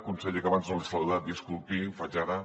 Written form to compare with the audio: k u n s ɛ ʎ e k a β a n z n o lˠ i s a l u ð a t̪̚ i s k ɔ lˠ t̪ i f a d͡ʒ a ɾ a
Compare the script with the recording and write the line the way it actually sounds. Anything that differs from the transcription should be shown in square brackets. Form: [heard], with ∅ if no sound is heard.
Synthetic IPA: k u n s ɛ ʎ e k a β a n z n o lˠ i s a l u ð a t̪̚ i s k [u] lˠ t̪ i f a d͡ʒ a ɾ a